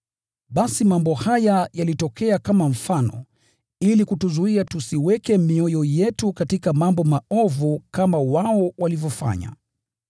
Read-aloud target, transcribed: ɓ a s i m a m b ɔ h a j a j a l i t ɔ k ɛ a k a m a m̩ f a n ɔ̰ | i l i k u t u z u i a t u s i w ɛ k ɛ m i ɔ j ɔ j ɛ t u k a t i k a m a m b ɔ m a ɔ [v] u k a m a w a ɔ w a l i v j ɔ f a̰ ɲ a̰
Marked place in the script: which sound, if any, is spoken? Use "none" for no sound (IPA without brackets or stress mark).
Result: v